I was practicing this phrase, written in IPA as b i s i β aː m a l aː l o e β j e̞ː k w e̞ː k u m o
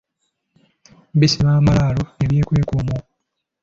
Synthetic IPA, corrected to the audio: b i s i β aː m a l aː l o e β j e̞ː k w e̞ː k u m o